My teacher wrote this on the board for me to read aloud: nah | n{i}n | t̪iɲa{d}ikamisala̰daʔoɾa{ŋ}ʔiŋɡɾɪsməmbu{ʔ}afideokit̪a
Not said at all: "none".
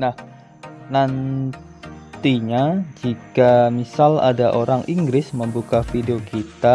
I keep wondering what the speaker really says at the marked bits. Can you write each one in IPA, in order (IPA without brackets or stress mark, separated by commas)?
a, d͡ʒ, ŋ, k